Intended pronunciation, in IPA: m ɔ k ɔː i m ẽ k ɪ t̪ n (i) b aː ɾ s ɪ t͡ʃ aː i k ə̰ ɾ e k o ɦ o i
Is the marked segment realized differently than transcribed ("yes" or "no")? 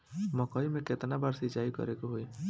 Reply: yes